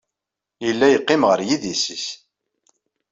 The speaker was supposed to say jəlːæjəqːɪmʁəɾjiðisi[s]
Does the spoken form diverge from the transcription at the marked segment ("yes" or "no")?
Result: no